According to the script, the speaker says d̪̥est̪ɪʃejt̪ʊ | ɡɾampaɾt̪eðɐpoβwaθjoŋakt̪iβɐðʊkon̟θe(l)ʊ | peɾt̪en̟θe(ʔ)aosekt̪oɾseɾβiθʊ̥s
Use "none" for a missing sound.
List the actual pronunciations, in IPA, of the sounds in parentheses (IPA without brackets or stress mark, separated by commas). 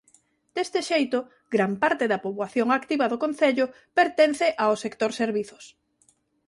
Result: ʎ, ʔ